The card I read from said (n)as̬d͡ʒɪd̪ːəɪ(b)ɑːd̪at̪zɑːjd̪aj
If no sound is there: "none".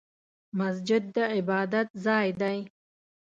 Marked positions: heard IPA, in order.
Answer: m, b

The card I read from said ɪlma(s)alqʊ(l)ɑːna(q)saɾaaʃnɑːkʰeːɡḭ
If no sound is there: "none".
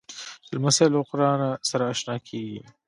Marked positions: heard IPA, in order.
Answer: s, ɾ, none

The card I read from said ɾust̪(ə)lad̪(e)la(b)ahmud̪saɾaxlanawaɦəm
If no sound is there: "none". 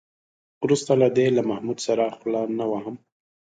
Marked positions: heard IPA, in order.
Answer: a, e, m

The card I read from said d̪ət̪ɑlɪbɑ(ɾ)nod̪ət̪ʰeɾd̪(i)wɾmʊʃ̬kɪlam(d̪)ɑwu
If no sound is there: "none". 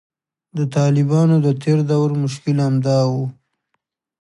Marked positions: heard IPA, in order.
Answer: none, a, d̪

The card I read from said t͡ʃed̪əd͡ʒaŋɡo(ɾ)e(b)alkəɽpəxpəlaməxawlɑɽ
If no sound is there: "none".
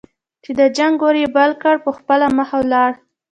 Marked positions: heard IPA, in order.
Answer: ɾ, b

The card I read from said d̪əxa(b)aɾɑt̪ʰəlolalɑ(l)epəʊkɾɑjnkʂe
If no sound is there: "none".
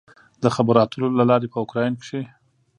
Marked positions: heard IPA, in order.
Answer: b, ɾ

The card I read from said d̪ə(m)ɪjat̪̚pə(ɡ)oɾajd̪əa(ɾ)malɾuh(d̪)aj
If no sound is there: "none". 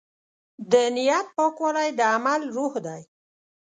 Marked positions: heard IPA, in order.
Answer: n, k, none, d̪

